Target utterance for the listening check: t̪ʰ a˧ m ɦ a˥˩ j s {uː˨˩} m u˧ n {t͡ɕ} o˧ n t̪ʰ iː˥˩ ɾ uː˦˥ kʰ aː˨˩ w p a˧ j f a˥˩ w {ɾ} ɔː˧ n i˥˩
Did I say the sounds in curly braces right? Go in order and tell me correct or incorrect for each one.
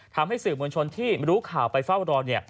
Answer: incorrect: ɯː˨˩, incorrect: t͡ɕʰ, correct

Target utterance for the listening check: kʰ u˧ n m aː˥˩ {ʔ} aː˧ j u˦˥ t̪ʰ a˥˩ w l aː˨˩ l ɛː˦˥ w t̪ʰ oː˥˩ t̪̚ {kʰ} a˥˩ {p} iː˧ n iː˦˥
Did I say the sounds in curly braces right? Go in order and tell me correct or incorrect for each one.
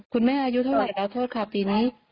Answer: correct, correct, correct

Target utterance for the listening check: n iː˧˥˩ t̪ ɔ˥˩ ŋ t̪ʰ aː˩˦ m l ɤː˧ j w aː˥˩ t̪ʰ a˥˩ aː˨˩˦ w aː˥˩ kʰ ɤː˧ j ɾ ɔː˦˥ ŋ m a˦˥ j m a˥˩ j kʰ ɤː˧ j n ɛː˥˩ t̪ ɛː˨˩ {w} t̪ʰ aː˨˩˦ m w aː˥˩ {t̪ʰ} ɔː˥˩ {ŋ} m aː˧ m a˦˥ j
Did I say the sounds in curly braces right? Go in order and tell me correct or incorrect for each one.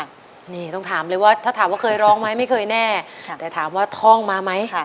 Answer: incorrect: none, correct, correct

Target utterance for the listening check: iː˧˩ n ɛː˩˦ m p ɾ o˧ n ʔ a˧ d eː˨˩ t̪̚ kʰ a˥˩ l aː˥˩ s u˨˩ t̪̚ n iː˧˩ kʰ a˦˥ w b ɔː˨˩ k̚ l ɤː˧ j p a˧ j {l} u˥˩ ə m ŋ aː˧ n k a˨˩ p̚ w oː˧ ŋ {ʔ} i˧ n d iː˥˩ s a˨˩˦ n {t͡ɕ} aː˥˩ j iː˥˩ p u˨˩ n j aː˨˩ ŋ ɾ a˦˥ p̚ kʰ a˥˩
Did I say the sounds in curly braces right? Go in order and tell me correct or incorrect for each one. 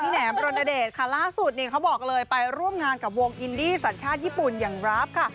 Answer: incorrect: ɾ, correct, incorrect: t͡ɕʰ

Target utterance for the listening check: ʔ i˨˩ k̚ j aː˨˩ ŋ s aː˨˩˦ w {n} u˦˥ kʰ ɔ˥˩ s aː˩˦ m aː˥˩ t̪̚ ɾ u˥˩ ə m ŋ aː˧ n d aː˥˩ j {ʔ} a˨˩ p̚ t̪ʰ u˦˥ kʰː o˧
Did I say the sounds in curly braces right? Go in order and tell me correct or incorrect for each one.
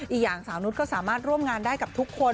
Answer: correct, incorrect: k

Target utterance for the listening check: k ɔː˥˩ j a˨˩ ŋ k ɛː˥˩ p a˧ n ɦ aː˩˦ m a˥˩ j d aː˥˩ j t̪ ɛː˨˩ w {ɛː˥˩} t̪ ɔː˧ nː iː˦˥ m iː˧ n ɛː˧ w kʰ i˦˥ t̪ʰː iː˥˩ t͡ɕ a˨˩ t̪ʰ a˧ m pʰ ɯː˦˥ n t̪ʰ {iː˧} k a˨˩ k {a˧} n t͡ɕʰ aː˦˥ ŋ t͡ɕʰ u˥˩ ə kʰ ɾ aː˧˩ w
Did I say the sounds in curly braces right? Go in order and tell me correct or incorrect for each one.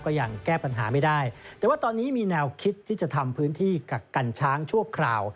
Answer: incorrect: aː˥˩, incorrect: iː˥˩, correct

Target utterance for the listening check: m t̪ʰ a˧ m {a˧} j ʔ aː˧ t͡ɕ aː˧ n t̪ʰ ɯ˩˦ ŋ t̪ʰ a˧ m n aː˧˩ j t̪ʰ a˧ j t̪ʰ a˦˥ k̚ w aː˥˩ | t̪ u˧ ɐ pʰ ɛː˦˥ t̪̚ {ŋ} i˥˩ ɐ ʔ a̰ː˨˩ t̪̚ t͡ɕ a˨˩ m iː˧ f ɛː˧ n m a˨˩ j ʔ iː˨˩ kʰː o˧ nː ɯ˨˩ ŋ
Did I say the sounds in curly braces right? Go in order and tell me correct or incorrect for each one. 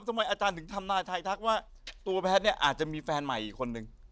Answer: correct, incorrect: n

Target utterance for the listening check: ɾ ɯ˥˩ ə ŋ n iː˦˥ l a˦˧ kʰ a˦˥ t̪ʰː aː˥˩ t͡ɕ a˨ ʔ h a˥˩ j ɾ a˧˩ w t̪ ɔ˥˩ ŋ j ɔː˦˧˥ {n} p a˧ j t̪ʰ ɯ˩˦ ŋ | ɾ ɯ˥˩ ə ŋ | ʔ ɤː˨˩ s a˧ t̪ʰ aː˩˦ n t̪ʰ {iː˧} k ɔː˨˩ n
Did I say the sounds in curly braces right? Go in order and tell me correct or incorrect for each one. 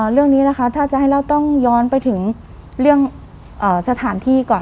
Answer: correct, incorrect: iː˥˩

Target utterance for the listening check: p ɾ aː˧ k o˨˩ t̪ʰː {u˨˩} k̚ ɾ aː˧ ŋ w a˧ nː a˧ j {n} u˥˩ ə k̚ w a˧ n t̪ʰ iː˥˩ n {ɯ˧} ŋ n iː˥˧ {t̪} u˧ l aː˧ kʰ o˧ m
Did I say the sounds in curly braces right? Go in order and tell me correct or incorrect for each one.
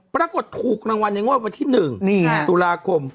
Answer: incorrect: uː˨˩, incorrect: ŋ, incorrect: ɯ˨˩, correct

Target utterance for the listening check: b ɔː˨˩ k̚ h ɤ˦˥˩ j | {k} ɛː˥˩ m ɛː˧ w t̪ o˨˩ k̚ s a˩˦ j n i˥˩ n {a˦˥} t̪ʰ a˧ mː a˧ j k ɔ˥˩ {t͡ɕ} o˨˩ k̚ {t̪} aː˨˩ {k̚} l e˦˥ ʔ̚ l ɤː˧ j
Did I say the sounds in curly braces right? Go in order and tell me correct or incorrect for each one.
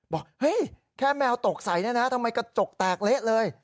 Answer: incorrect: kʰ, correct, correct, correct, correct

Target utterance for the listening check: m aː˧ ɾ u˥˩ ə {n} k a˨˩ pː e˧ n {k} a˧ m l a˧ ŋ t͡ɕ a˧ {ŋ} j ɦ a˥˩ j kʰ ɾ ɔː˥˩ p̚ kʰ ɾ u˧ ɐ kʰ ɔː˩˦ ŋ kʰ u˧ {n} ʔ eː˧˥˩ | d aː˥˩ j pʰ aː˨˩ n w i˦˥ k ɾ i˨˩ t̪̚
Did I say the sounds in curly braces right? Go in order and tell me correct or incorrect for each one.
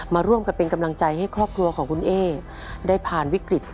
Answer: incorrect: m, correct, incorrect: none, correct

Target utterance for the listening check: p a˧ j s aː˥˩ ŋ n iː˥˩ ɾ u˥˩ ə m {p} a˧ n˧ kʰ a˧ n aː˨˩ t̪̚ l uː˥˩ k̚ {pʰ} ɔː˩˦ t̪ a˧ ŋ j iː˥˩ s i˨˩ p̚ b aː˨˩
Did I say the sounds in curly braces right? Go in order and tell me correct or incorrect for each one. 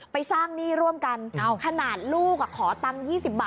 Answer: incorrect: k, incorrect: kʰ

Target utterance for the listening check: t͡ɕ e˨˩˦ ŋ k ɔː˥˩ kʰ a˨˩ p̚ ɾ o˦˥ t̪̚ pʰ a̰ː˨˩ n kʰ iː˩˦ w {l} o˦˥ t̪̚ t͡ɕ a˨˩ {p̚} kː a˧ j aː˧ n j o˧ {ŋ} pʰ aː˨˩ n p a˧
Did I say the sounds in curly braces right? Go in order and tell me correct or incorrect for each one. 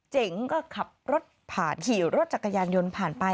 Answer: incorrect: ɾ, incorrect: none, incorrect: n

